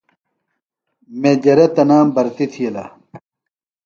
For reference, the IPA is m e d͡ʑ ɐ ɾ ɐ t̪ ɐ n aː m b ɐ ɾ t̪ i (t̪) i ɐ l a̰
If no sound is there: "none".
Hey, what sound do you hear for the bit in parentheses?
t̪ʰ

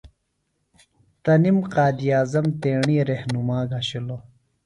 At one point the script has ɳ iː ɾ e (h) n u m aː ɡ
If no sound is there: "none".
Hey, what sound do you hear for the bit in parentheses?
h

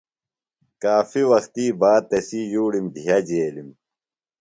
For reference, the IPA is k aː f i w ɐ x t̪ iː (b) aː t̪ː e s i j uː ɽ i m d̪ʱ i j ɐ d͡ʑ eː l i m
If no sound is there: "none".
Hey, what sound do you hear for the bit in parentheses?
b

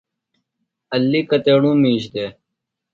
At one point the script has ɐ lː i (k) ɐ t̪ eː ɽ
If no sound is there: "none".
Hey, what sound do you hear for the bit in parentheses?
k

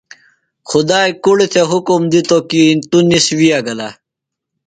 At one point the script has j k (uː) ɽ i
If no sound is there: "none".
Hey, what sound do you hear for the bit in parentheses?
u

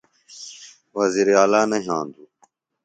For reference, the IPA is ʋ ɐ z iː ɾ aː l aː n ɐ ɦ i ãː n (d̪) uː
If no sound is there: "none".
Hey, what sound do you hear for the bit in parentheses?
d̪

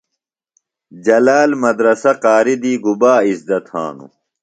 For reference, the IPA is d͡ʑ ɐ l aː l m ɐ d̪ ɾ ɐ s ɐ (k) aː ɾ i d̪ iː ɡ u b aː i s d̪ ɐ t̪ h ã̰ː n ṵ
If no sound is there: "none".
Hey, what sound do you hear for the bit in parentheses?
q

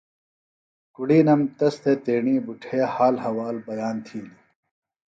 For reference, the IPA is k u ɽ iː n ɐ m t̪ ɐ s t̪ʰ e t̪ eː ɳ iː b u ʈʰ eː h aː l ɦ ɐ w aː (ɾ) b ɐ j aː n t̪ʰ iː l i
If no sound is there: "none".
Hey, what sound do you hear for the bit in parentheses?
l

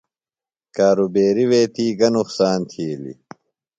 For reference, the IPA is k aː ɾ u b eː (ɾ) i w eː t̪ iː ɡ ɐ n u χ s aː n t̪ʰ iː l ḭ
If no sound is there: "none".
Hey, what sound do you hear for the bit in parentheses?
ɾ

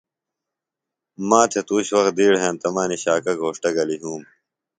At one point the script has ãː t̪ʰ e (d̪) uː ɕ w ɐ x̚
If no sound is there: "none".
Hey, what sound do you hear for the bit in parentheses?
t̪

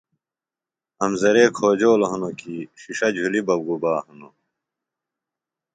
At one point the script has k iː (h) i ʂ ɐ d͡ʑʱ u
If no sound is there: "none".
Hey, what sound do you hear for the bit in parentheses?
ɕ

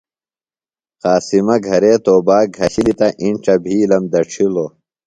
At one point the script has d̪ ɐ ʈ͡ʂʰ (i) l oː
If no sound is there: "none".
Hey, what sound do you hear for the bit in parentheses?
i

